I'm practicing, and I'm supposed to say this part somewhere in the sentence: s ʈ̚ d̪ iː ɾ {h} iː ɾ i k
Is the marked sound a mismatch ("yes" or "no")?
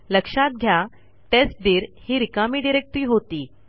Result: no